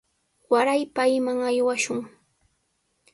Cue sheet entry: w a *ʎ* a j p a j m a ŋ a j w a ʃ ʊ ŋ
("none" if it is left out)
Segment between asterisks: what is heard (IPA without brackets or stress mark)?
ɾ